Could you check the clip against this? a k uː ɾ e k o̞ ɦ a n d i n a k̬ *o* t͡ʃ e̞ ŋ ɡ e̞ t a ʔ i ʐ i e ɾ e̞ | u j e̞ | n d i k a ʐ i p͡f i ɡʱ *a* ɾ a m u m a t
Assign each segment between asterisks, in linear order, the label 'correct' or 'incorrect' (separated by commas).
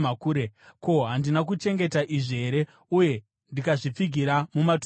incorrect, incorrect